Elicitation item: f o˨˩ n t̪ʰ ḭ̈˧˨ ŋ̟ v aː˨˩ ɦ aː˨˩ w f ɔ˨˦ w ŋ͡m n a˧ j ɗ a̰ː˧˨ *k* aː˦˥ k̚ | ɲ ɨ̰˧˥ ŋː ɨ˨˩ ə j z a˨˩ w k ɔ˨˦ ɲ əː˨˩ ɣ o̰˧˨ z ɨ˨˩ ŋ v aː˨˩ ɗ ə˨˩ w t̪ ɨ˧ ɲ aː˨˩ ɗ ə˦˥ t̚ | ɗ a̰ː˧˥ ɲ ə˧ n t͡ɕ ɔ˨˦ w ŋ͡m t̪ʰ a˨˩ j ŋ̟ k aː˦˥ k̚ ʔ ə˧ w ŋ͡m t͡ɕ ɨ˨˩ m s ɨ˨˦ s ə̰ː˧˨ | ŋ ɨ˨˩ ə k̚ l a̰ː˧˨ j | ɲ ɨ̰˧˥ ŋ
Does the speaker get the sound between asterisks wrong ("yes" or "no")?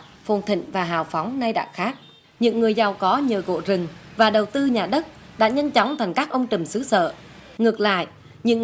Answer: yes